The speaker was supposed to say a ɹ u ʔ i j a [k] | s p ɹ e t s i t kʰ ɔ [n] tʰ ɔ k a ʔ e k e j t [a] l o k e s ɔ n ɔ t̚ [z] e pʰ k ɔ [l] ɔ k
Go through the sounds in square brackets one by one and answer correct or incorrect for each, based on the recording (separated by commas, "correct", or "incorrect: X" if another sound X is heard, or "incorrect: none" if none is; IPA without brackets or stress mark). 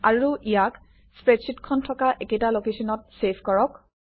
correct, correct, correct, incorrect: s, incorrect: ɹ